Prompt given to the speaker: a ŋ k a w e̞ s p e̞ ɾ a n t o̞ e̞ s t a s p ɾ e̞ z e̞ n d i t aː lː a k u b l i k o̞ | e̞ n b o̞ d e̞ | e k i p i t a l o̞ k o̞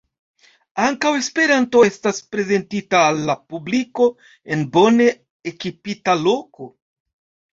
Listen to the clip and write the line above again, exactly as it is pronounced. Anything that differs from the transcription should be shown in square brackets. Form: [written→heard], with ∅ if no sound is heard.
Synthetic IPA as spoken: a ŋ k a w e̞ s p e̞ ɾ a n t o̞ e̞ s t a s p ɾ e̞ z e̞ n [d→t] i t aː lː a [k→p] u b l i k o̞ | e̞ n b o̞ [d→n] e̞ | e k i p i t a l o̞ k o̞